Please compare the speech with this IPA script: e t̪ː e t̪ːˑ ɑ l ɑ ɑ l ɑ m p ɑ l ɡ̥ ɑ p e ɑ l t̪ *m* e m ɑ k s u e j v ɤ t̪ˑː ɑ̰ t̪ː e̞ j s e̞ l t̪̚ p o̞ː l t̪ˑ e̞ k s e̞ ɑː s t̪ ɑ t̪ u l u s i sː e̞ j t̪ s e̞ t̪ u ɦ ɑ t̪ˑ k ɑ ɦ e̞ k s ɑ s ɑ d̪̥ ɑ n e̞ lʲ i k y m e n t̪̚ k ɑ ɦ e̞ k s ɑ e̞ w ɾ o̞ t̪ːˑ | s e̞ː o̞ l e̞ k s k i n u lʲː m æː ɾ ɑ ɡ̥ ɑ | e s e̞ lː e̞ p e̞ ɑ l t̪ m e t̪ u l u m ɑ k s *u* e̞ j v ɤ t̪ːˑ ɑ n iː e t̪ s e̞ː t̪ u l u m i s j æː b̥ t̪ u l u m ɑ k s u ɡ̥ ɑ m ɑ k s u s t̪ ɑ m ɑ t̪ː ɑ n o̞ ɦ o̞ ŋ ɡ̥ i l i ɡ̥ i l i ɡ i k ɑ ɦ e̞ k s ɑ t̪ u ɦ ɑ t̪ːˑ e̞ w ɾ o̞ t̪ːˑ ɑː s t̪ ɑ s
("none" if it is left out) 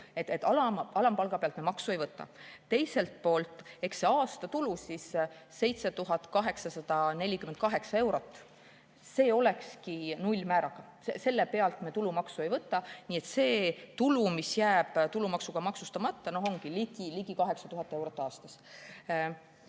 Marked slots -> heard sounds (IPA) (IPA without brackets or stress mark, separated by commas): m, u